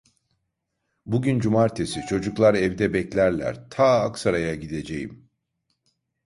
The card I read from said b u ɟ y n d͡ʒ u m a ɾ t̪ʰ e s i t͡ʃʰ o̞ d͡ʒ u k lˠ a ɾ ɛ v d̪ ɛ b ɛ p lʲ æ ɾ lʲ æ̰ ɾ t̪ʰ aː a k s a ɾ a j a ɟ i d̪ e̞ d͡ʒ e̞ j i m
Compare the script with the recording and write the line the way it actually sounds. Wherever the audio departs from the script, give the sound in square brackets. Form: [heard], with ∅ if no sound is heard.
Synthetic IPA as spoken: b u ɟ y n d͡ʒ u m a ɾ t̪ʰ e s i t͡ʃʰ o̞ d͡ʒ u k lˠ a ɾ ɛ v d̪ ɛ b ɛ [c] lʲ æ ɾ lʲ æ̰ ɾ t̪ʰ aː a k s a ɾ a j a ɟ i d̪ e̞ d͡ʒ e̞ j i m